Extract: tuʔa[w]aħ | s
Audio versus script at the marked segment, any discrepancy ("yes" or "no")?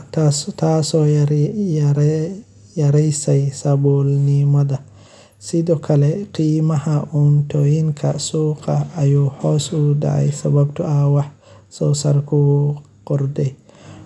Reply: no